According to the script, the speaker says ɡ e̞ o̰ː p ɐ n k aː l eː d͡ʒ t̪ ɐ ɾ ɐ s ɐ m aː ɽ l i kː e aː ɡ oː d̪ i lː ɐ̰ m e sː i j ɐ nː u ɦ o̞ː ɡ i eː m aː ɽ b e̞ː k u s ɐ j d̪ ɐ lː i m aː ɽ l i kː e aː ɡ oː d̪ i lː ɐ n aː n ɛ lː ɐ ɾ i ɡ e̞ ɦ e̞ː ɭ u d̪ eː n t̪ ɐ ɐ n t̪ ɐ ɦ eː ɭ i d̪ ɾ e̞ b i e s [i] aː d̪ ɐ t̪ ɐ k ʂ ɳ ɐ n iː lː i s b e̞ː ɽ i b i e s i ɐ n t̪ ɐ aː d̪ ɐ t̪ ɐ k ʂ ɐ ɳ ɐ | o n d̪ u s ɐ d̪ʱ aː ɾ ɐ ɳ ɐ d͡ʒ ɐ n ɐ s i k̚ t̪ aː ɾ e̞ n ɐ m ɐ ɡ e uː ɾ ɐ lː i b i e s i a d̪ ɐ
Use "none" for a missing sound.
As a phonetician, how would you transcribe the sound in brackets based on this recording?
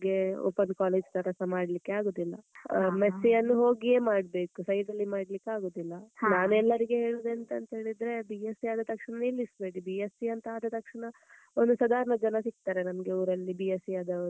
i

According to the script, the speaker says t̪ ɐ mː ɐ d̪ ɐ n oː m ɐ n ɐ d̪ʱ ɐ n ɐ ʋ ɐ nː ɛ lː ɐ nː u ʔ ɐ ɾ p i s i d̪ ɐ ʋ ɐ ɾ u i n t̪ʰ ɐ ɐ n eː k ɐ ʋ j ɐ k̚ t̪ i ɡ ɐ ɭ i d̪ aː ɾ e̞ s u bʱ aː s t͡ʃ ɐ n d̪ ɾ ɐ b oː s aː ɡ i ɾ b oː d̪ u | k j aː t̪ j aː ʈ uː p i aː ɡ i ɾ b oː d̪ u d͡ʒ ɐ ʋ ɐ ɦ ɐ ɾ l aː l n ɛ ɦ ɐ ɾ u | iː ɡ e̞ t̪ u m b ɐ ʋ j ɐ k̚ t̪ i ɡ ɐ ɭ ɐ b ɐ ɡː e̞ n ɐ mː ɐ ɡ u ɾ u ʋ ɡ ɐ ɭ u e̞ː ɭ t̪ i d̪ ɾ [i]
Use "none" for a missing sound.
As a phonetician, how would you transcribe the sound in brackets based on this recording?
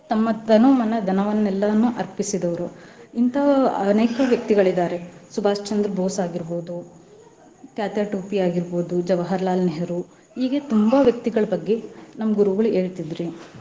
i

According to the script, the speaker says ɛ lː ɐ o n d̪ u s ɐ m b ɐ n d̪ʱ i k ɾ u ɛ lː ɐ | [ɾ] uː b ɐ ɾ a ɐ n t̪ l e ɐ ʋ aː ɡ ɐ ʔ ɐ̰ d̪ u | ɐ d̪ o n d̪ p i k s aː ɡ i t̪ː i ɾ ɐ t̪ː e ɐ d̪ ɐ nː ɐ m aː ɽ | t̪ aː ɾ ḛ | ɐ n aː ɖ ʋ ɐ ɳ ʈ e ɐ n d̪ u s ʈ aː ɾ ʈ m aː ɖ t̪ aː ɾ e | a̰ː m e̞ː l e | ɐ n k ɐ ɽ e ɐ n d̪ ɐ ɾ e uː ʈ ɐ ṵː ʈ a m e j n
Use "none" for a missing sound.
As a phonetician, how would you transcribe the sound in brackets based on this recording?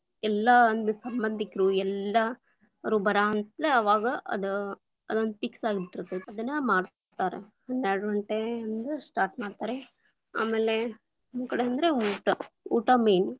ɾ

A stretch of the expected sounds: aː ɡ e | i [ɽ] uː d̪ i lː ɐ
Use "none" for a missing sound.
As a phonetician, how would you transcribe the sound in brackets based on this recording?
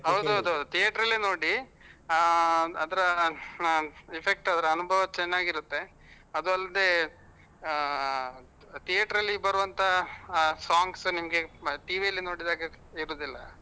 ɾ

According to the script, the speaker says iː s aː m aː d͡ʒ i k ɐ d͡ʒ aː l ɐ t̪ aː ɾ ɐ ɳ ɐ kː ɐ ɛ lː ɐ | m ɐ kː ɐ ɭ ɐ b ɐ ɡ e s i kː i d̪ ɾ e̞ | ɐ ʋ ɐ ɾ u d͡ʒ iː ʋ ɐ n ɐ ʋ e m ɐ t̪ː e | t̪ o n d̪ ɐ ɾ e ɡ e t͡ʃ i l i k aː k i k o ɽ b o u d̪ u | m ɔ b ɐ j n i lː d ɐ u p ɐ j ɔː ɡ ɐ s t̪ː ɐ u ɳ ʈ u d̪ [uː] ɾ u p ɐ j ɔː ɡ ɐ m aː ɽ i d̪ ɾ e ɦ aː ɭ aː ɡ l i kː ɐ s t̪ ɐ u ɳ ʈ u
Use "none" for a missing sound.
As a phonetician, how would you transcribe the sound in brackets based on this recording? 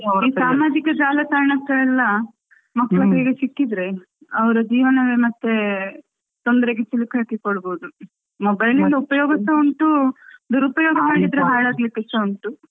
u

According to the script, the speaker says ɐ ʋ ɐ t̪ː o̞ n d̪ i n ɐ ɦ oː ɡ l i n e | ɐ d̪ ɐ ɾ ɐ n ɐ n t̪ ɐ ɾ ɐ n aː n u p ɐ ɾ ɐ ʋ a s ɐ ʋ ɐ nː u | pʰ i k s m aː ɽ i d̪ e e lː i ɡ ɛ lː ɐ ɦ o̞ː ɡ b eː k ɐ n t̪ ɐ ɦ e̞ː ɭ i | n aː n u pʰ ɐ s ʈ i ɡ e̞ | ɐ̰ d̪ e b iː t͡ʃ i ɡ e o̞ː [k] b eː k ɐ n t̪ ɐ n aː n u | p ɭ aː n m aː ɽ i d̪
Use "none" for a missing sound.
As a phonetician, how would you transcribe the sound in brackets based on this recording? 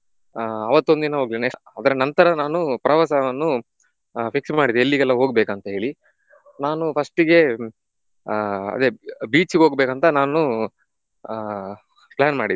ɡ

